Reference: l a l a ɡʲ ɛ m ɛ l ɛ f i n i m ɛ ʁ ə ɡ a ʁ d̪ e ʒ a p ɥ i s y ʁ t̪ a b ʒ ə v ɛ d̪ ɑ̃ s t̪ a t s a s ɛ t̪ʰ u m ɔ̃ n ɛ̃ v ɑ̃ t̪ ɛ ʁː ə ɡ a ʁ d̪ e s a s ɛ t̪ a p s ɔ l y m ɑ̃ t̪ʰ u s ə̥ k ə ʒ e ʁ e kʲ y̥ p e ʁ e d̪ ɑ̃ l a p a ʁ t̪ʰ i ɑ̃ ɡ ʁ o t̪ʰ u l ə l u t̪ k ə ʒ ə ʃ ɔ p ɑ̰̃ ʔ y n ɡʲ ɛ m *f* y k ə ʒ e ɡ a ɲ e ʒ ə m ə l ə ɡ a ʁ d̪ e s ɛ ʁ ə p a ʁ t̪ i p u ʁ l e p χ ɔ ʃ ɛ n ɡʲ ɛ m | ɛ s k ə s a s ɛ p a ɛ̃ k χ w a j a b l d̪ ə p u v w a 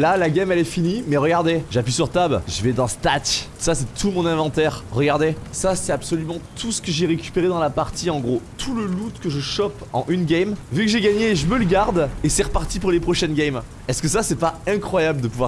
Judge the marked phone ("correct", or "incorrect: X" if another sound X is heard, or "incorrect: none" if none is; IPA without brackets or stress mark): incorrect: v